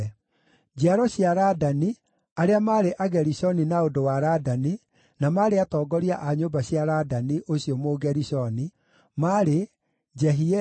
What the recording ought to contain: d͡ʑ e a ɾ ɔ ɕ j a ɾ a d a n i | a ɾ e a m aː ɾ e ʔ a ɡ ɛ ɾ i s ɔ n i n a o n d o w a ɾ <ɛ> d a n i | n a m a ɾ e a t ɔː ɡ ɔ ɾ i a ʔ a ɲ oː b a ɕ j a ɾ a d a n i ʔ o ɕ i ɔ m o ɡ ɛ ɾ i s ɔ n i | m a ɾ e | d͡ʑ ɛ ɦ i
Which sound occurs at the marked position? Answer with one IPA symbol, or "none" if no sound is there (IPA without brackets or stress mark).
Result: a